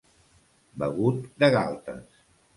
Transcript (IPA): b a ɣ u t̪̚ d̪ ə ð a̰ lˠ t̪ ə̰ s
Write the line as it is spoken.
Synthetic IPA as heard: b ə ɣ u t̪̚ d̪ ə ɣ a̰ lˠ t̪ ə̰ s